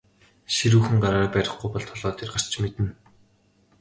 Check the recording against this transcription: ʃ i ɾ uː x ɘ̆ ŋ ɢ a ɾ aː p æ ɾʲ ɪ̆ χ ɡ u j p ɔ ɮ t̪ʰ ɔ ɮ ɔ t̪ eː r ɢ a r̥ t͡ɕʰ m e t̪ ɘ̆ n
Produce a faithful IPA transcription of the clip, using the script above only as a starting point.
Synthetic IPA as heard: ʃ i ɾ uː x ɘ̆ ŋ ɢ a ɾ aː p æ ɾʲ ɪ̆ χ ɡ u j p ɔ ɮ t̪ʰ ɔ ɮ ɔː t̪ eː r ɢ a r̥ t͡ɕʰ m e t̪ ɘ̆ n